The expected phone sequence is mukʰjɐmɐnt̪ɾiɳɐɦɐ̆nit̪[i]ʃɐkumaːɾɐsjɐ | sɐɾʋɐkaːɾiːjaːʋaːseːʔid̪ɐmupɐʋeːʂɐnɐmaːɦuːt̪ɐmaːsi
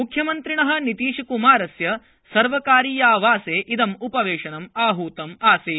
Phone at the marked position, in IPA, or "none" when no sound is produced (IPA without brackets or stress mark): iː